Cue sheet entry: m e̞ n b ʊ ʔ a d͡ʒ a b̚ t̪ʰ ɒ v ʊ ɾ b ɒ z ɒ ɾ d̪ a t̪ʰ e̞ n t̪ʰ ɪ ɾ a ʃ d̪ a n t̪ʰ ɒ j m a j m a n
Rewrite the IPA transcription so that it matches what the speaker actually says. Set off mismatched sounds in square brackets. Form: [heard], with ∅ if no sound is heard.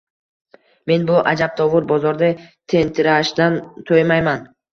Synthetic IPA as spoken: m e̞ n b ʊ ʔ a d͡ʒ a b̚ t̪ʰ ɒ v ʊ ɾ b ɒ z ɒ ɾ d̪ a t̪ʰ e̞ n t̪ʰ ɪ ɾ a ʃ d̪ a n t̪ʰ [o] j m a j m a n